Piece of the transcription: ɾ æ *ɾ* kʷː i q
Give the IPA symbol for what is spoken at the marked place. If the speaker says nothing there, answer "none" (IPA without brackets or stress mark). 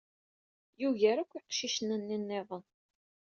none